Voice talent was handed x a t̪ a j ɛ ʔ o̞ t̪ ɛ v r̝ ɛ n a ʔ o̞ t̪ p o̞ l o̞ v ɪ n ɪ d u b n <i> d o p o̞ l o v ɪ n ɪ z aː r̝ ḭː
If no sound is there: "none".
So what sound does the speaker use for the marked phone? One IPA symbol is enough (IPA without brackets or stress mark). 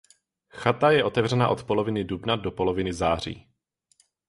a